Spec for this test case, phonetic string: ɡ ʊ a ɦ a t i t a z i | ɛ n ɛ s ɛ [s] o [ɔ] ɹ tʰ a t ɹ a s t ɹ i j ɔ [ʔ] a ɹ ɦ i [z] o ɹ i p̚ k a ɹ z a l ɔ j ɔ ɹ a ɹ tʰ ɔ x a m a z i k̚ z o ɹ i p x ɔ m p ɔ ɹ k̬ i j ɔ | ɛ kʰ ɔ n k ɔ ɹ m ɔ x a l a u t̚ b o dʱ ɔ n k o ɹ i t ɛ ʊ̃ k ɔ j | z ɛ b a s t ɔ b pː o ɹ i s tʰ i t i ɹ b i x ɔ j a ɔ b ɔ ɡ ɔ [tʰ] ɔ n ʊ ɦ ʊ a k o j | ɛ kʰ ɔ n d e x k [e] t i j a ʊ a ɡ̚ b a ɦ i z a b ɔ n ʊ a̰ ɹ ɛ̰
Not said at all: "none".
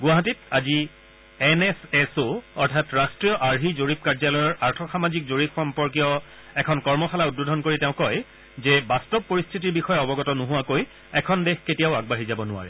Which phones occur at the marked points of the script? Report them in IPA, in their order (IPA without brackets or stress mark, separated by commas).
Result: s, ɔ, ʔ, z, t, e